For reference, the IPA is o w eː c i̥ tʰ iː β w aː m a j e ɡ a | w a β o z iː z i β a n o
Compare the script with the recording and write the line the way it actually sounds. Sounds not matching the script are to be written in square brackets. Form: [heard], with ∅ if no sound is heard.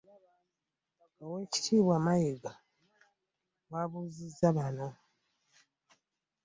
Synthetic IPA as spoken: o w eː c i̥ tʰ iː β w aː m a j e ɡ a | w a β [u] z [i] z [a] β a n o